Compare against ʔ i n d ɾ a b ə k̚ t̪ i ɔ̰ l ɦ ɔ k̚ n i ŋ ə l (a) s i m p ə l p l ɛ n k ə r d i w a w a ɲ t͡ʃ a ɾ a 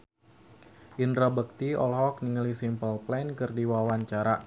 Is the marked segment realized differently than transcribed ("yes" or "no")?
yes